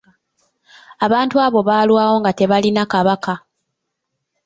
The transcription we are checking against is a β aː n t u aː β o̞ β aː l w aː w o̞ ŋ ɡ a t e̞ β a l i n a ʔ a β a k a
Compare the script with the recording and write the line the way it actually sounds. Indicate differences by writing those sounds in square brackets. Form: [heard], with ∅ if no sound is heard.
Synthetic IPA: a β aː n t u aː β o̞ β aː l w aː w o̞ ŋ ɡ a t e̞ β a l i n a [k] a β a k a